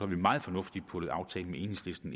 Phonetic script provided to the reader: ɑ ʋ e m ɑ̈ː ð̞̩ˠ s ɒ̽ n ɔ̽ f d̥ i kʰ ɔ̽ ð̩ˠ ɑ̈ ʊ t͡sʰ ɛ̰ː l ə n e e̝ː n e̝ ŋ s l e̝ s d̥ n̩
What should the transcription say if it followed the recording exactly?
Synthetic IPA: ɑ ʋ i m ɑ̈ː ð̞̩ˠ f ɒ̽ n ɔ̽ f d̥ i pʰ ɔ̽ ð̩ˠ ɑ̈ ʊ t͡sʰ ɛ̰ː l ə m e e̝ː n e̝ ŋ s l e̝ s d̥ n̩

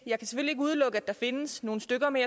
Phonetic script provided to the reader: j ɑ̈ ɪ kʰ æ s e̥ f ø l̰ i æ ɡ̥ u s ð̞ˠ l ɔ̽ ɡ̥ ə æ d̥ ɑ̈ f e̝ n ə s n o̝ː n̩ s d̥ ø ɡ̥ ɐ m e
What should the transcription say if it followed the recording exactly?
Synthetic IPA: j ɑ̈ ɪ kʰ æ s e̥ f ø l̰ i e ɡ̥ u ð̞ˠ l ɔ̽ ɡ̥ ə æ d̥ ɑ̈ f e̝ n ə s n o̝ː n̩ s d̥ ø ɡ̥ ɐ m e

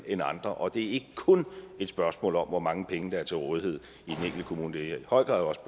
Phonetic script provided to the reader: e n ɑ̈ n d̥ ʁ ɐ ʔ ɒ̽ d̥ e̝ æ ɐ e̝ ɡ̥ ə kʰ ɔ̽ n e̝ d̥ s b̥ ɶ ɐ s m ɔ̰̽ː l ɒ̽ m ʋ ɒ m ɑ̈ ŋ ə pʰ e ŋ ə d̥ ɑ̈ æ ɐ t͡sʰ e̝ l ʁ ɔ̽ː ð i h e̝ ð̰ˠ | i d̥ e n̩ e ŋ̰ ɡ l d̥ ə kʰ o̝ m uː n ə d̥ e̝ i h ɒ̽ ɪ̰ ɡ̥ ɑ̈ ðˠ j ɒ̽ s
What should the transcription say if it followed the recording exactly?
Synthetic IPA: e n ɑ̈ n d̥ ʁ ɐ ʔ ɒ̽ d̥ e̝ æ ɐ e̝ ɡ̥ ə kʰ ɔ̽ n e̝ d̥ s b̥ ɶ ɐ s m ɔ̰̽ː l ɒ̽ m ʋ ɒ m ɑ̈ ŋ ə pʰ e ŋ ə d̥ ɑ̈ æ ɐ t͡sʰ e̝ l ʁ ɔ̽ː ð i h e̝ ð̰ˠ | i d̥ e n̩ e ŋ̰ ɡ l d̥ ə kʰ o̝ m uː n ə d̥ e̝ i h ɒ̽ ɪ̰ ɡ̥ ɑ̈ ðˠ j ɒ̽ s

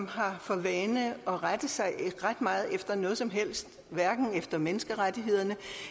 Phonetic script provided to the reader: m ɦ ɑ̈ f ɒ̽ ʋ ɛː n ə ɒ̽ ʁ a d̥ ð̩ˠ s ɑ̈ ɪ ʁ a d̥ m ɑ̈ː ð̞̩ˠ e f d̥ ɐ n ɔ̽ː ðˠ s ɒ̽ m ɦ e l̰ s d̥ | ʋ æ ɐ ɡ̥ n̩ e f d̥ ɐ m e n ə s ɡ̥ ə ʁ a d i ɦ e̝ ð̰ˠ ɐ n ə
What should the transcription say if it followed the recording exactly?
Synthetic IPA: m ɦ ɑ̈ f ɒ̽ ʋ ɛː n ə ɒ̽ ʁ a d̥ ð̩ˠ s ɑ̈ ɪ ʁ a d̥ m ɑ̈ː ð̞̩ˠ e f d̥ ɐ n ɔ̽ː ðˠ s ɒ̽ m ɦ e l̰ s d̥ | ʋ æ ɐ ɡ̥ n̩ e f d̥ ɐ m e n ə s ɡ̥ ə ʁ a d i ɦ e̝ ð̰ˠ ɐ n ə

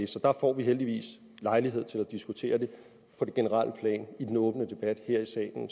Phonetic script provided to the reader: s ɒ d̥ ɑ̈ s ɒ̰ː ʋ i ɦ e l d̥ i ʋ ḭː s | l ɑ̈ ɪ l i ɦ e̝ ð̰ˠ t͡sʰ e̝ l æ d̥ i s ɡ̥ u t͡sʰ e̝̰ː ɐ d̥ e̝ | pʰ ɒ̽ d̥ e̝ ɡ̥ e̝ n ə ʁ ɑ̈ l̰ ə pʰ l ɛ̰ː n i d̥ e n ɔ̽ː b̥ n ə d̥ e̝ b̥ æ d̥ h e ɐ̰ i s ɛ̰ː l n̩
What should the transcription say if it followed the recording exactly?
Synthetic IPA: s ɒ d̥ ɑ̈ f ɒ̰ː ʋ i ɦ e l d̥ i ʋ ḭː s | l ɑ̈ ɪ l i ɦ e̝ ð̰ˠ t͡sʰ e̝ l æ d̥ i s ɡ̥ u t͡sʰ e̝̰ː ɐ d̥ e̝ | pʰ ɒ̽ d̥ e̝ ɡ̥ e̝ n ə ʁ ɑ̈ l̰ ə pʰ l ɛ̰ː n i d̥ e n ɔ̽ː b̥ n ə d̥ e̝ b̥ æ d̥ h e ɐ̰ i s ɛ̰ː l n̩

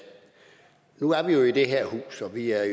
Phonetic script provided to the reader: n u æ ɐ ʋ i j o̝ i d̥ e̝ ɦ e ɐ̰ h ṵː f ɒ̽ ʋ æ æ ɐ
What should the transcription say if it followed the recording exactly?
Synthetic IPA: n u æ ɐ ʋ i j o̝ i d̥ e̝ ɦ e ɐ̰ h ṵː s ɒ̽ ʋ i æ ɐ

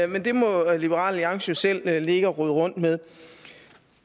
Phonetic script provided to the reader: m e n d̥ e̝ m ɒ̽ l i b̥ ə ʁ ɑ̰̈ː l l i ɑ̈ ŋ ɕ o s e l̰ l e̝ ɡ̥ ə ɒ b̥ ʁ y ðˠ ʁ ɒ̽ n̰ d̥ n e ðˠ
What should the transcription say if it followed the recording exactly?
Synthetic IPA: m e n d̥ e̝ m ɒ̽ l i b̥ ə ʁ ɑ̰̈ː l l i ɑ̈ ŋ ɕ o s e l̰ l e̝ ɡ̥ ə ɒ ʁ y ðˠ ʁ ɔ̽ n̰ d̥ m e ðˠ

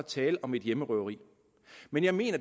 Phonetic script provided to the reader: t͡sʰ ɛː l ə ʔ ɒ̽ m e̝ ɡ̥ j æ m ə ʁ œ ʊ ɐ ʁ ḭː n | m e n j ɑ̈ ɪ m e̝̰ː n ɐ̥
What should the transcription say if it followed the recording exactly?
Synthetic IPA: t͡sʰ ɛː l ə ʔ ɒ̽ m e̝ d̥ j e m ə ʁ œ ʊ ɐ ʁ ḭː | m e n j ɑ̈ ɪ m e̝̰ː n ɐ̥

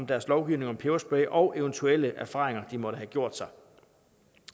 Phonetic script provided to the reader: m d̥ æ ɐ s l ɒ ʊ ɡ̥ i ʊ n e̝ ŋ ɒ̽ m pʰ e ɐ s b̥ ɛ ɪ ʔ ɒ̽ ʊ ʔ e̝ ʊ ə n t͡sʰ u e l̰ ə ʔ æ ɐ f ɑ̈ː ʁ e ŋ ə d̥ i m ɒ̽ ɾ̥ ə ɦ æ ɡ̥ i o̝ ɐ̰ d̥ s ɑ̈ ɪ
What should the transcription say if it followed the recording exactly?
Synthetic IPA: m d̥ æ ɐ s l ɒ ʊ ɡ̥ i ʊ n e̝ ŋ ɒ̽ m pʰ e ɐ s b̥ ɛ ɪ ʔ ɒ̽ ʊ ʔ e̝ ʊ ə n t͡sʰ u e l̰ ə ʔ æ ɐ f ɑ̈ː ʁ e ŋ ɐ d̥ i m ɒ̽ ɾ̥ ə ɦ æ ɡ̥ j o̝ ɐ̰ d̥ s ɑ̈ ɪ

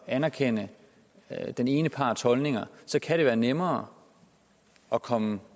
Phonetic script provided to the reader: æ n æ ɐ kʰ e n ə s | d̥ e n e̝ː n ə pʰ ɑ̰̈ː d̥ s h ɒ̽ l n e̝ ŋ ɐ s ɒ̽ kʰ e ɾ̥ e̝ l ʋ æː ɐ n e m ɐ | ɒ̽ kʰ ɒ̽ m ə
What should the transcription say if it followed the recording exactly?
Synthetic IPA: æ n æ ɐ kʰ e n ə | d̥ e n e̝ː n ə pʰ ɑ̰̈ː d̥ s h ɒ̽ l n e̝ ŋ ɐ s ɒ̽ kʰ æ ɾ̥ e̝ ʋ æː ɐ n e m ɐː | ɒ̽ kʰ ɒ̽ m ə

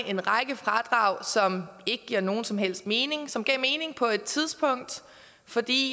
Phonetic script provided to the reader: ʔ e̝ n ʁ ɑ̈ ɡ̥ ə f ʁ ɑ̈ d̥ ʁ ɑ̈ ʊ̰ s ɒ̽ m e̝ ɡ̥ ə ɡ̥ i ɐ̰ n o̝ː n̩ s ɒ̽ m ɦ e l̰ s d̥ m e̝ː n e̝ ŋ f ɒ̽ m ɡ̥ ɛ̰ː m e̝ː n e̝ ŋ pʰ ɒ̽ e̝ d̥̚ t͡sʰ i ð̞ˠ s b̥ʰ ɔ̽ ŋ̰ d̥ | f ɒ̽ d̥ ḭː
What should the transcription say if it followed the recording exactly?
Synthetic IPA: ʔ e̝ n ʁ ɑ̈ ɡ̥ ə f ʁ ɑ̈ d̥ ʁ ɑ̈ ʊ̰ s ɒ̽ m e̝ ɡ̥ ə ɡ̥ i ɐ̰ n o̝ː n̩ s ɒ̽ m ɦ e l̰ s d̥ m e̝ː n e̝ ŋ s ɒ̽ m ɡ̥ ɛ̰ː m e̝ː n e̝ ŋ pʰ ɒ̽ e̝ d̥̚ t͡sʰ i ð̞ˠ s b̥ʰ ɔ̽ ŋ̰ d̥ | f ɒ̽ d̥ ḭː

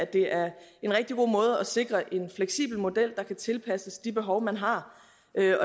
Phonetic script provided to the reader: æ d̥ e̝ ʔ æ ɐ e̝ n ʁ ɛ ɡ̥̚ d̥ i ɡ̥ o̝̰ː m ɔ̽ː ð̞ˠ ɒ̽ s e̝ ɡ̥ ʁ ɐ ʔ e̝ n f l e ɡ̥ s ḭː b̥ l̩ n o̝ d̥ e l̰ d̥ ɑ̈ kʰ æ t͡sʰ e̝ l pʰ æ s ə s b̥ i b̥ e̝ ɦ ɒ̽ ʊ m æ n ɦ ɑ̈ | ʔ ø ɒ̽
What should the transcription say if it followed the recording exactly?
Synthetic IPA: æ d̥ e̝ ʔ æ ɐ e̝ n ʁ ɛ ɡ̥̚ d̥ i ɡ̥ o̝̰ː m ɔ̽ː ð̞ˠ ɒ̽ s e̝ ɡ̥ ʁ ɐ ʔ e̝ n f l e ɡ̥ s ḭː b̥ l̩ m o̝ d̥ e l̰ d̥ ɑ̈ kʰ æ t͡sʰ e̝ l pʰ æ s ə s d̥ i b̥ e̝ ɦ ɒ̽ ʊ m æ n ɦ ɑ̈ | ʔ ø ɒ̽

